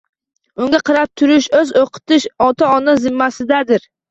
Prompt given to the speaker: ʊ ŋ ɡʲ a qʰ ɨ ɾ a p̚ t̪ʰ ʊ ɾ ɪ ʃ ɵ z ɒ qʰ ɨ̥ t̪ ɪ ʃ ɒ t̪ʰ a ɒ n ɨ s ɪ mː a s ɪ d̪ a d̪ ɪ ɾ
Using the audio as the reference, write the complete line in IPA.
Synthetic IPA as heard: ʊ ŋ ɡʲ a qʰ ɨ ɾ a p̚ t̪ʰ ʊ ɾ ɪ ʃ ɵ z o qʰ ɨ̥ t̪ ɪ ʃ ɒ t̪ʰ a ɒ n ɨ z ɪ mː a s ɪ d̪ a d̪ ɪ ɾ